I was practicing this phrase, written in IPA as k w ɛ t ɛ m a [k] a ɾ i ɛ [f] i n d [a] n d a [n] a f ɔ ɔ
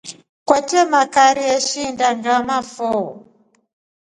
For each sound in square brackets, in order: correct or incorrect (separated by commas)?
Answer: correct, incorrect, correct, incorrect